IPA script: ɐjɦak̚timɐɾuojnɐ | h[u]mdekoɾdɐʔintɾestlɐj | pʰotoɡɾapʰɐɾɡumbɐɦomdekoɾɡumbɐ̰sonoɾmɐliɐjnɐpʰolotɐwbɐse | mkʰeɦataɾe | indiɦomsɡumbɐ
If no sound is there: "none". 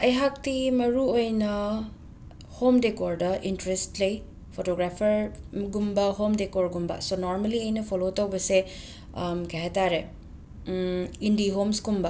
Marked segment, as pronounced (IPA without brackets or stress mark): o